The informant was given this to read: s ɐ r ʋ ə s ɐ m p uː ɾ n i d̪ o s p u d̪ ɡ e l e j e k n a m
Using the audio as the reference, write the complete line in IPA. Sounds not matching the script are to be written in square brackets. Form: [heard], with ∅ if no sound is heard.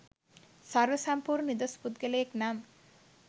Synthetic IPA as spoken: s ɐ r ʋ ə s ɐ m p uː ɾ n i d̪ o s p u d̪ ɡ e l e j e k n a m